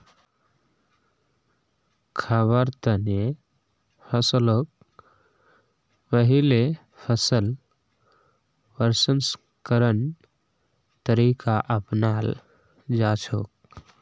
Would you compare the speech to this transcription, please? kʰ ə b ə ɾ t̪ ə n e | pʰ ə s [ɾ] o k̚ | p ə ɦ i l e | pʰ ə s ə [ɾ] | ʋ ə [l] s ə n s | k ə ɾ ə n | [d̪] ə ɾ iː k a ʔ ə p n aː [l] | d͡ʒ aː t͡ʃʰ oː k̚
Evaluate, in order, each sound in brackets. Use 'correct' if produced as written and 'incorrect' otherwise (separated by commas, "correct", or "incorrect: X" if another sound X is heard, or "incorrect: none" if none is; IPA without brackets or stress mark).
incorrect: l, incorrect: l, incorrect: ɾ, incorrect: t̪, correct